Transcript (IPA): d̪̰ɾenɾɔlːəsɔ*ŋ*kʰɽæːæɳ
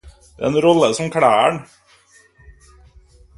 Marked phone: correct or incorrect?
incorrect